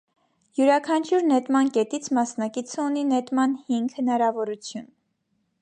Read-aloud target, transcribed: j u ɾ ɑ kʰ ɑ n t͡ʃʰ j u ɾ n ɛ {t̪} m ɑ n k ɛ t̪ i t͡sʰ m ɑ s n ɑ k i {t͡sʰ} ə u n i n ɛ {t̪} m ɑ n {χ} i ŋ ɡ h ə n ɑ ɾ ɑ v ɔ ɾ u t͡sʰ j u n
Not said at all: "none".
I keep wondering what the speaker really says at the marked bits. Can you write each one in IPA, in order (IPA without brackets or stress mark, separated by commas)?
t̪, t͡sʰ, t̪, h